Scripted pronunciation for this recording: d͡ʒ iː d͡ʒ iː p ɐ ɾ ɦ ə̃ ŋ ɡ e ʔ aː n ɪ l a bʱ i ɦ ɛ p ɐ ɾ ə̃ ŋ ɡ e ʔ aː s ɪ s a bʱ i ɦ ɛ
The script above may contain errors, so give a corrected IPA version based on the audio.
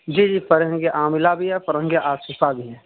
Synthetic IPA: d͡ʒ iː d͡ʒ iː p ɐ ɾ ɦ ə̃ ŋ ɡ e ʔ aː m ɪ l a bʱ i ɦ ɛ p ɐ ɾ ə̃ ŋ ɡ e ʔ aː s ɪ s a bʱ i ɦ ɛ